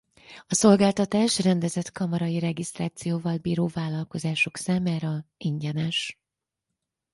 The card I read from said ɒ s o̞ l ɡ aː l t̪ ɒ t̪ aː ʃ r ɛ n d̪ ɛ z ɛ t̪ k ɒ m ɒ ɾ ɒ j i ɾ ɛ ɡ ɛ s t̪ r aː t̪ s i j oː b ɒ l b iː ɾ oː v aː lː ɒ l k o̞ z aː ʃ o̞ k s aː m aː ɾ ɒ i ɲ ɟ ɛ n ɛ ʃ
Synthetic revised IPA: ɒ s o̞ l ɡ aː l t̪ ɒ t̪ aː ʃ r ɛ n d̪ ɛ z ɛ t̪ k ɒ m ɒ ɾ ɒ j i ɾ ɛ ɡ i s t̪ r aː t̪ s i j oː v ɒ l b iː ɾ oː v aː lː ɒ l k o̞ z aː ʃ o̞ k s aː m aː ɾ ɒ i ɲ ɟ ɛ n ɛ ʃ